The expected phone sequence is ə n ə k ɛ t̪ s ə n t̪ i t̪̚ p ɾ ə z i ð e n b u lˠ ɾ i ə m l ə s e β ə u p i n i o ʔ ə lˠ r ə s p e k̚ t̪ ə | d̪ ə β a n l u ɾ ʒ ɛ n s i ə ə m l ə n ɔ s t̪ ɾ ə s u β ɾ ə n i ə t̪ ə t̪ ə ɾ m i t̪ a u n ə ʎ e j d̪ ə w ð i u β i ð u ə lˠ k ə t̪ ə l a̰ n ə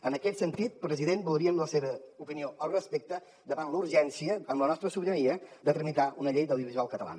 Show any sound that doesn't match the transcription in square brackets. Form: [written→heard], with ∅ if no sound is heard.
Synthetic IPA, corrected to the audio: ə n ə k ɛ t̪ s ə n t̪ i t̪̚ p ɾ ə z i ð e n b u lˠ ɾ i ə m l ə s e β ə u p i n i o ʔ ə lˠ r ə s p e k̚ t̪ ə | d̪ ə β a n l u ɾ ʒ ɛ n s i ə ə m l ə n ɔ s t̪ ɾ ə s u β ɾ ə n i ə [t̪→d̪] ə t̪ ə ɾ m i t̪ a u n ə ʎ e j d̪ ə w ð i u β i [ð→z] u [ə→a] lˠ k ə t̪ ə l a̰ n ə